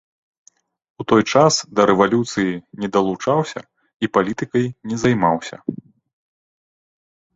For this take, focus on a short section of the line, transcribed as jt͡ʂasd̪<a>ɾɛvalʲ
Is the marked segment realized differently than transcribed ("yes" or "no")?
yes